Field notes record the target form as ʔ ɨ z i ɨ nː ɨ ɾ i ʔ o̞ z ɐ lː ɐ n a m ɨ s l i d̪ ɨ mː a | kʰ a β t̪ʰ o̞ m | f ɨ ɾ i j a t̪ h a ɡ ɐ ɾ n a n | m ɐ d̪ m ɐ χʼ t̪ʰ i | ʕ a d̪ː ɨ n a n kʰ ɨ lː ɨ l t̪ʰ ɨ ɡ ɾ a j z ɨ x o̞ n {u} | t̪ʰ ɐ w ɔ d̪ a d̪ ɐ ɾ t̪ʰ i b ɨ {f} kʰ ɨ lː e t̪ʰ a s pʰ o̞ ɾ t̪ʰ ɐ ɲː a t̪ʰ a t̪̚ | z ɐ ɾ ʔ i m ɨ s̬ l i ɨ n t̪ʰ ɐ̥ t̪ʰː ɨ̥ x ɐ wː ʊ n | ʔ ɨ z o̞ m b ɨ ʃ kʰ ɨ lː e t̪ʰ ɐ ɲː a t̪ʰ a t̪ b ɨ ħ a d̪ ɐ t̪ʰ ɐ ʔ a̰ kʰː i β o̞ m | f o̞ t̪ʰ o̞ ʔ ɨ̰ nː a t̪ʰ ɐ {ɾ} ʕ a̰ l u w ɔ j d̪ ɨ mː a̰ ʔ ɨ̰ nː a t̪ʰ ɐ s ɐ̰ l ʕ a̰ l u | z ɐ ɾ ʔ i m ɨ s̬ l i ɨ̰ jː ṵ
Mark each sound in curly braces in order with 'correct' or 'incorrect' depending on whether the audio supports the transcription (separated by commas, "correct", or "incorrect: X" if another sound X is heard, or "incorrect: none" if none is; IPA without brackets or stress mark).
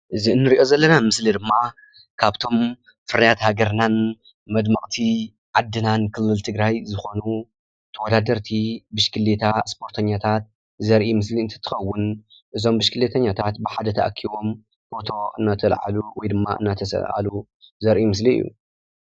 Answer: correct, incorrect: ʃ, incorrect: l